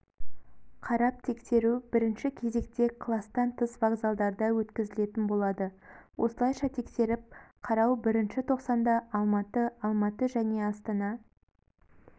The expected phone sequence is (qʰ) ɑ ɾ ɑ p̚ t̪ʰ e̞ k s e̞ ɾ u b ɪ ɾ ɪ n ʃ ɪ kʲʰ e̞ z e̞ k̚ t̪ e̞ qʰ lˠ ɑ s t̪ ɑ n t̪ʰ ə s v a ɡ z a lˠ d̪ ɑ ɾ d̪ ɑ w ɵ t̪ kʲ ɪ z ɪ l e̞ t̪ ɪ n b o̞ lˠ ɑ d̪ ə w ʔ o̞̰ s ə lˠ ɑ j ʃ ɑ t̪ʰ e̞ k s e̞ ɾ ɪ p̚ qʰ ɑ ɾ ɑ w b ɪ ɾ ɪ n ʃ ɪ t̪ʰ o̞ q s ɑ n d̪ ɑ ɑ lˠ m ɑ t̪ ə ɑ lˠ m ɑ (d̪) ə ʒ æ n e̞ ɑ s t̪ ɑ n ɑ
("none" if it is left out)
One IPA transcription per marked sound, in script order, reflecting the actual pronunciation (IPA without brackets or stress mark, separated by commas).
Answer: qʰ, t̪